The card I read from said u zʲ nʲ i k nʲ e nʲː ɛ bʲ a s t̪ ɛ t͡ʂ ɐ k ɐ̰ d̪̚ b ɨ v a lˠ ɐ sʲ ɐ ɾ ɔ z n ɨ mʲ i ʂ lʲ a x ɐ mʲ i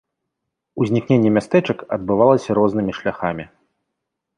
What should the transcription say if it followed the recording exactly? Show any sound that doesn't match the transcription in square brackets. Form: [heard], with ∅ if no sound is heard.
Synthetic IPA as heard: u zʲ nʲ i k nʲ e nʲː ɛ [mʲ] a s t̪ ɛ t͡ʂ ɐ k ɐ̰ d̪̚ b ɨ v a lˠ ɐ sʲ ɐ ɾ ɔ z n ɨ mʲ i ʂ lʲ a x [a] mʲ i